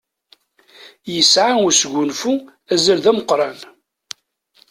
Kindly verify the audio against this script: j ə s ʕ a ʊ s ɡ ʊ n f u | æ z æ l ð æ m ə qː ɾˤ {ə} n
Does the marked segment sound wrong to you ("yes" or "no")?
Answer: yes